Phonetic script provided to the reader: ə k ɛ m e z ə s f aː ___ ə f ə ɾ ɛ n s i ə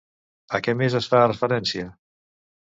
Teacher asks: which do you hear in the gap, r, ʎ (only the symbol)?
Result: r